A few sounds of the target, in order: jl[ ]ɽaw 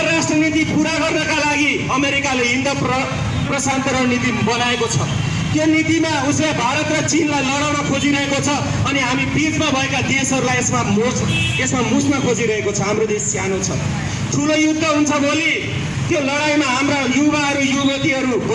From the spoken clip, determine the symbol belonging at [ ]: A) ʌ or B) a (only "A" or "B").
A